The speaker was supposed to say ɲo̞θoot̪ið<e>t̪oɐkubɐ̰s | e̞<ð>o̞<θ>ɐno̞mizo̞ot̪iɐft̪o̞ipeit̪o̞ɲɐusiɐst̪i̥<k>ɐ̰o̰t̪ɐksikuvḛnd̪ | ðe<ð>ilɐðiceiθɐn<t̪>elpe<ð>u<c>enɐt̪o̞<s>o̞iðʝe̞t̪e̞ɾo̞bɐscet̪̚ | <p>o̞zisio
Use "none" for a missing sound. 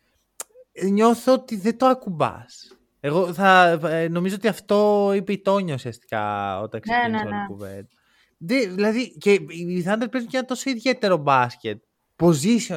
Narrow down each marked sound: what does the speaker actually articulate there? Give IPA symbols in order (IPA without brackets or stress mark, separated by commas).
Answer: e, ɣ, θ, k, ð, d̪, z, c, s, p